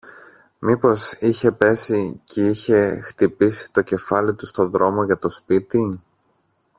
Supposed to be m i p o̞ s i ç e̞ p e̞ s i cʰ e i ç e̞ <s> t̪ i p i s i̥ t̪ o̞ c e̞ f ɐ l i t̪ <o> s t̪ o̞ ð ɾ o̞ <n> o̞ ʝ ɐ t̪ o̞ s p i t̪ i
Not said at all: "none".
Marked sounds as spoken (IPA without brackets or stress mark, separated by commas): x, u, m